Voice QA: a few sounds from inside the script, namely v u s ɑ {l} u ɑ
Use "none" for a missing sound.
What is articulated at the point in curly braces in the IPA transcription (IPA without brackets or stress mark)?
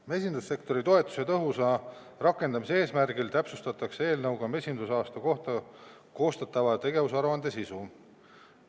ɾ